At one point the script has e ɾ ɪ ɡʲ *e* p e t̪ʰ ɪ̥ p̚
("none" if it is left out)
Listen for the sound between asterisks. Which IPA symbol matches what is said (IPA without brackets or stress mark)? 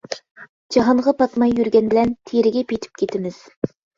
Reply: ɛ